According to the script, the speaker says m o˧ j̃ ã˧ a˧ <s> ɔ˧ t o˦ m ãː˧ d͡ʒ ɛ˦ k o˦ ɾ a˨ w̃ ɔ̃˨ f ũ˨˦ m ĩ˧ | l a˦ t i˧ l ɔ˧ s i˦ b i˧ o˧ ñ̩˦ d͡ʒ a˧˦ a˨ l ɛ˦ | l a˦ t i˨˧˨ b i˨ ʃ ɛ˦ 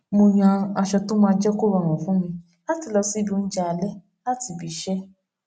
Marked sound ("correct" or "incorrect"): incorrect